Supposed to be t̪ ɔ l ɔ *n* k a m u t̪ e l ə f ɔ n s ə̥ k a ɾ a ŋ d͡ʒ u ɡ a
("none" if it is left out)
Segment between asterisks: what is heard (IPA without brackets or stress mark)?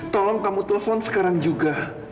ŋ